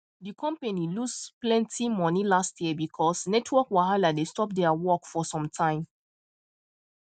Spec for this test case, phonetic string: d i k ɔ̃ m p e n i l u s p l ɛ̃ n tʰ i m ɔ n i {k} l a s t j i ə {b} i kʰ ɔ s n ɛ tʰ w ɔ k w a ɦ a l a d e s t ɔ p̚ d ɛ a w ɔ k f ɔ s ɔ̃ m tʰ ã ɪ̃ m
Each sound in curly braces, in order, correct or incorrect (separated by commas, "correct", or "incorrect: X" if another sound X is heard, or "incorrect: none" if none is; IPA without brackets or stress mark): incorrect: none, correct